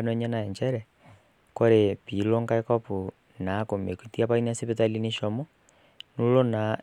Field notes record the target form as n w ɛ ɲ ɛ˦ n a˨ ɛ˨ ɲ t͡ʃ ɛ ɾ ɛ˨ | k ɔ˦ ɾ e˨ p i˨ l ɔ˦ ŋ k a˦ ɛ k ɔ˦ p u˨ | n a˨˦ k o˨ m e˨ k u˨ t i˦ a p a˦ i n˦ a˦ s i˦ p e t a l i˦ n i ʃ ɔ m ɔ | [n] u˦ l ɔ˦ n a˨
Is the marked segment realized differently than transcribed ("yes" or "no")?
no